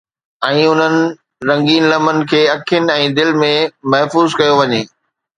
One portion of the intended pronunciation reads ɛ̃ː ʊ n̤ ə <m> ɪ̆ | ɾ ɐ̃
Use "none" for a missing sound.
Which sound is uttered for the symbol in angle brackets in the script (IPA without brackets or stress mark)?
n